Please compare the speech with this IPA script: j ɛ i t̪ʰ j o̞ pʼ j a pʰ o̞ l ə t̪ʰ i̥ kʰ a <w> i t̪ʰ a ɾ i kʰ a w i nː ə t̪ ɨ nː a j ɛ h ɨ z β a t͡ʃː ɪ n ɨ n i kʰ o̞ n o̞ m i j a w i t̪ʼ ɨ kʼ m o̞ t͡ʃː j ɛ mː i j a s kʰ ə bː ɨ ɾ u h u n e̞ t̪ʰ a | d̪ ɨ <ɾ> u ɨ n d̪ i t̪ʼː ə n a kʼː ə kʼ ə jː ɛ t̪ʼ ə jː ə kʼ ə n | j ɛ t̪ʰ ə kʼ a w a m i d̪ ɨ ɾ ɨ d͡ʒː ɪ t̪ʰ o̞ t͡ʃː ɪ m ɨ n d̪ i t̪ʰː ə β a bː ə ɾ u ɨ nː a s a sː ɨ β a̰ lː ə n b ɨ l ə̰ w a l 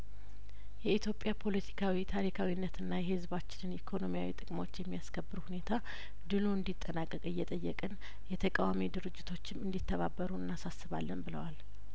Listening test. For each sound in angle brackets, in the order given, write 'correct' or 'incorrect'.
correct, incorrect: l

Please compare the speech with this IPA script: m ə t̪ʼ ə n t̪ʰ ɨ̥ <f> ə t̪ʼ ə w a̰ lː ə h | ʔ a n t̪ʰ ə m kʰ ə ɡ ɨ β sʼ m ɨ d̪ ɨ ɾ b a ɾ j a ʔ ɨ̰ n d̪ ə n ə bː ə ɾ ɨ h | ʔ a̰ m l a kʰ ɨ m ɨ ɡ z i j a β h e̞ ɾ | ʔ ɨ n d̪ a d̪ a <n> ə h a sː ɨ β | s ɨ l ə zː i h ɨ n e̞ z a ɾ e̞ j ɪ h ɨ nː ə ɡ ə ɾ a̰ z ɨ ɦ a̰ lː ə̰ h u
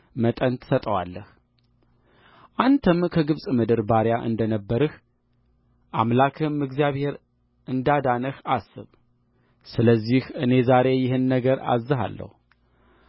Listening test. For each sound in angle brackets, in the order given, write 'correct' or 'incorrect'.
incorrect: s, correct

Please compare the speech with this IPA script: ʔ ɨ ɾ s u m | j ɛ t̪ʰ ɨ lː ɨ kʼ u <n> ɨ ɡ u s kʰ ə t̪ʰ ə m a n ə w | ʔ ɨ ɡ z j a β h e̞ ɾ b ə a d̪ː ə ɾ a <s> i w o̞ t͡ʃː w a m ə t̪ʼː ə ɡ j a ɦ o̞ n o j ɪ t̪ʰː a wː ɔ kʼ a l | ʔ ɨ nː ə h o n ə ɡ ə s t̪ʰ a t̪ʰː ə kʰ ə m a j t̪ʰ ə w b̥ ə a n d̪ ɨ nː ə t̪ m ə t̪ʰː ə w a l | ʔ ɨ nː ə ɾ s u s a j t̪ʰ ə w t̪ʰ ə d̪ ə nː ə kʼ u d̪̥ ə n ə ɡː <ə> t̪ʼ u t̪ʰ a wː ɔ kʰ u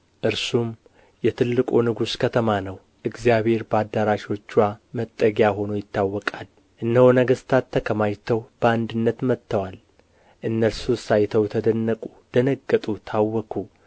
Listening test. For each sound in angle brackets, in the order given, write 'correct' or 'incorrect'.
correct, incorrect: ʃ, correct

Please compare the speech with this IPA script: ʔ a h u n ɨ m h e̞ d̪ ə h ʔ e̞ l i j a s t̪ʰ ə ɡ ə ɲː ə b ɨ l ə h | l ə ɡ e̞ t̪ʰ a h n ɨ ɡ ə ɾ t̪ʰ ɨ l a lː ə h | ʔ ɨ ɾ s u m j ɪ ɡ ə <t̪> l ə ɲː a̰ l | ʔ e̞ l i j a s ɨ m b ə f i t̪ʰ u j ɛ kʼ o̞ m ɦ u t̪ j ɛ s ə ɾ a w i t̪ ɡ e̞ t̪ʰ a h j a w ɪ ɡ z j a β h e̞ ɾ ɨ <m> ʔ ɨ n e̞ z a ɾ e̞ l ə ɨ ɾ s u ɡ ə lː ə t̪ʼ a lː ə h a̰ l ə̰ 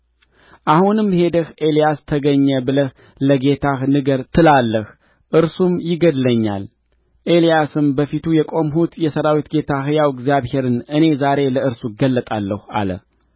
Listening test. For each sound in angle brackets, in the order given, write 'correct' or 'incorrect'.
incorrect: d̪, incorrect: n

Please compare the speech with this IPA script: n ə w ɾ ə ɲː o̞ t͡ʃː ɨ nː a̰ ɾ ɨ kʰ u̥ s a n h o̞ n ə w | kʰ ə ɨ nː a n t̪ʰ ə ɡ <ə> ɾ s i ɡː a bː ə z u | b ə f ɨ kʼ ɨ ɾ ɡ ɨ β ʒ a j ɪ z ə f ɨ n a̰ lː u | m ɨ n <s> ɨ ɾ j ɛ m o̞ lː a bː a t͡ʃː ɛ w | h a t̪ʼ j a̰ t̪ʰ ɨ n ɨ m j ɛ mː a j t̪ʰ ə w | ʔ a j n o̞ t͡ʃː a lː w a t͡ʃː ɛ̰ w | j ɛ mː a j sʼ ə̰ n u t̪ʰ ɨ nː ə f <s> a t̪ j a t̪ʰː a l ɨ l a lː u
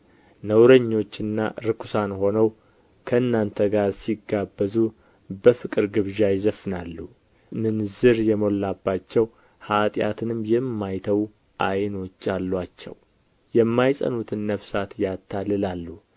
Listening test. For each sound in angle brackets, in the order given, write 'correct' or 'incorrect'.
incorrect: a, incorrect: z, correct

